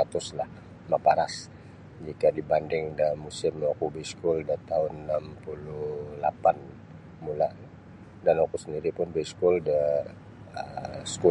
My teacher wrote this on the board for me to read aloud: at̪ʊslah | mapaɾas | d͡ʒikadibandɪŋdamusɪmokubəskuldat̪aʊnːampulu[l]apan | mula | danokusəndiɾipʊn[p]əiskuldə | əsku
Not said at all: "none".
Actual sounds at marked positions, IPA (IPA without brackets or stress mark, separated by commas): l, b